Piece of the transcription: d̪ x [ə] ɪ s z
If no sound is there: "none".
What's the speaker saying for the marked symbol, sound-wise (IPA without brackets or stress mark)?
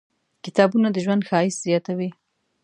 ɑ